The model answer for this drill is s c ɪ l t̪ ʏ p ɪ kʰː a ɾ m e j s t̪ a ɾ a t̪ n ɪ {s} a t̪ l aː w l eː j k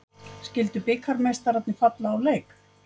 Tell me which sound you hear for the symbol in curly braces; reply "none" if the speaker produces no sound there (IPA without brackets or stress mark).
f